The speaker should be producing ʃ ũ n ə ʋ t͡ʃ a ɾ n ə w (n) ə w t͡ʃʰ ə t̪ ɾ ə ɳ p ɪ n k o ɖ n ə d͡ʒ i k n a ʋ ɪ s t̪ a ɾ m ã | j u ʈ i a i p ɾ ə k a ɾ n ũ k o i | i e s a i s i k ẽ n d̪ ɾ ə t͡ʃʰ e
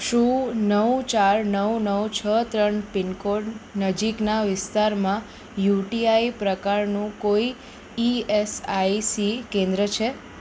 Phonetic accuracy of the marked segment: correct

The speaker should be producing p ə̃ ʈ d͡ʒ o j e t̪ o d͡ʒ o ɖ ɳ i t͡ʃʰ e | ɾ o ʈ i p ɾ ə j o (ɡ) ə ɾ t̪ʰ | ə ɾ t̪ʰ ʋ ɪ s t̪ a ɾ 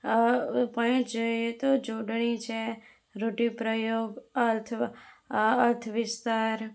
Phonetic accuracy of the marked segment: correct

